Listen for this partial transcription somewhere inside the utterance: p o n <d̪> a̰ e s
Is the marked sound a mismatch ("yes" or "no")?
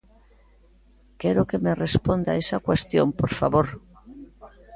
no